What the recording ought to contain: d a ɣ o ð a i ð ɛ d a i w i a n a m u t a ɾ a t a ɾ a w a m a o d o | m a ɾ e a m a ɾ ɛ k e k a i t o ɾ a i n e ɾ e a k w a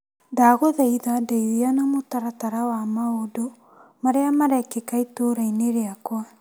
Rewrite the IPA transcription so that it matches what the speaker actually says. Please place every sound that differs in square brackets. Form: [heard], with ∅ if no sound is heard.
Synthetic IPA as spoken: d a ɣ o ð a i ð [a] d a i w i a n a m [o] t a ɾ a t a ɾ a w a m a o d o | m a ɾ e a m a ɾ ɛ k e k a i t o ɾ a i n e ɾ e a k w a